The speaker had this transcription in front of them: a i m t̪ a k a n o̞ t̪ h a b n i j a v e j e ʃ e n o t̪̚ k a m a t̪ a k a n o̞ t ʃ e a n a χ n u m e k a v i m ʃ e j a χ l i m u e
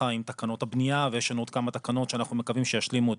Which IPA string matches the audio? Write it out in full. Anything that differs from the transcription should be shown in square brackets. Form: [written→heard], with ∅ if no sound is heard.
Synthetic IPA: a i m t̪ a k a n o̞ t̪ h a b n i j a v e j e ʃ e n o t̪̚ k a m a t̪ a k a n o̞ t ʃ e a n a χ n u m e k a v i m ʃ e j a [χ→ʃ] l i m u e